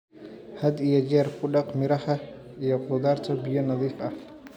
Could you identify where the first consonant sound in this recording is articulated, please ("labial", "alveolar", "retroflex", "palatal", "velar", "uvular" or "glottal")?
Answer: glottal